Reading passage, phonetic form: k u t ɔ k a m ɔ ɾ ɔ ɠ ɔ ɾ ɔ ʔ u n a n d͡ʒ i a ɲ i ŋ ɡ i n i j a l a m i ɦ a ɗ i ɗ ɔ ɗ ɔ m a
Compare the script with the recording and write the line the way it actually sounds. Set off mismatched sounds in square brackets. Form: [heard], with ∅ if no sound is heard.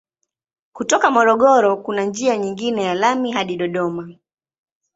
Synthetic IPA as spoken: k u t ɔ k a m ɔ ɾ ɔ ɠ ɔ ɾ ɔ [k] u n a n d͡ʒ i a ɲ i ŋ ɡ i n [ɛ] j a l a m i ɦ a ɗ i ɗ ɔ ɗ ɔ m a